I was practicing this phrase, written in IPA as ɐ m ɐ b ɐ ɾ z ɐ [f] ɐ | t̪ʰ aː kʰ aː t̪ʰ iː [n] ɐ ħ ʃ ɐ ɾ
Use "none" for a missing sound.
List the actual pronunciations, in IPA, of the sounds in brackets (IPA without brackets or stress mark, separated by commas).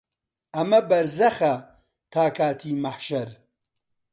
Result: x, m